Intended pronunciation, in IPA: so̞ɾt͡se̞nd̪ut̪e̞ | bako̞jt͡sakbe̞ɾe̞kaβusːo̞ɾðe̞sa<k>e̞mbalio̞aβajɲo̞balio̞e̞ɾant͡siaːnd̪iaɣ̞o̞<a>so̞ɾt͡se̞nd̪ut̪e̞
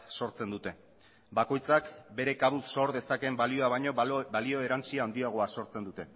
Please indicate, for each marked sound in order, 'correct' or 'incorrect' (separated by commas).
correct, correct